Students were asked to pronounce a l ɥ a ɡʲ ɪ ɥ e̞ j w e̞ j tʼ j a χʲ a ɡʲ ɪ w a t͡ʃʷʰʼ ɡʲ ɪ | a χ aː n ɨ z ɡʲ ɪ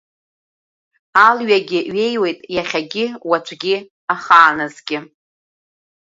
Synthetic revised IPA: a l ɥ a ɡʲ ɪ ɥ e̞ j w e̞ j tʼ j a χʲ a ɡʲ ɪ w a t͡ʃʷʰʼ ɡʲ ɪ | a χ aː n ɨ z ɡʲ ɪ